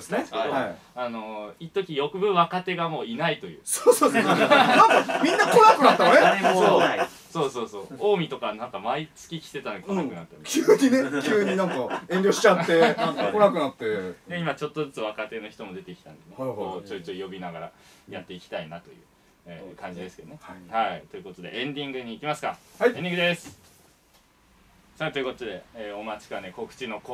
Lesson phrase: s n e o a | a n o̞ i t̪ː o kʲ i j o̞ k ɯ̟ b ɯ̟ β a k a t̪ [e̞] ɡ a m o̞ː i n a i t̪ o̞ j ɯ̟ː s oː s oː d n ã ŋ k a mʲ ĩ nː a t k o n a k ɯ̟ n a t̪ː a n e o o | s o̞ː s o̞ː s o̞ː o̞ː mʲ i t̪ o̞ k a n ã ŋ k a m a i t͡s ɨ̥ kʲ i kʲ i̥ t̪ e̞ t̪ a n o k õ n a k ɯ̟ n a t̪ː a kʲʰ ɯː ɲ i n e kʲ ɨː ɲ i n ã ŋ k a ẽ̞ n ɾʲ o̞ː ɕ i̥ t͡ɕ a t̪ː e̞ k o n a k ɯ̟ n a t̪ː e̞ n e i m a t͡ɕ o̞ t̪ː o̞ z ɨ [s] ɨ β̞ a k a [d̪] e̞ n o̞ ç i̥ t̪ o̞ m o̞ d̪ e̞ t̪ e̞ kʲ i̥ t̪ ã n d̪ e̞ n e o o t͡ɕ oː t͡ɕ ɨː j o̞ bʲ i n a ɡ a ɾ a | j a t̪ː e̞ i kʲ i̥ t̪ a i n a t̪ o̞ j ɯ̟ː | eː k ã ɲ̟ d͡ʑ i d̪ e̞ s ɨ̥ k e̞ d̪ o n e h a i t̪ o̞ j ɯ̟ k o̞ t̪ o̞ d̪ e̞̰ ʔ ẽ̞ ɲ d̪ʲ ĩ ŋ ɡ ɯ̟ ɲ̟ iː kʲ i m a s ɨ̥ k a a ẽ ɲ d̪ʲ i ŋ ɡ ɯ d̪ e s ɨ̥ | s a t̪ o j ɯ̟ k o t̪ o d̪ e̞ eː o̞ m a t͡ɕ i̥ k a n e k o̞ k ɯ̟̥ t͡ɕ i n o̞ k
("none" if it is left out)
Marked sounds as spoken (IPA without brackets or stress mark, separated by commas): e̞, t͡s, t̪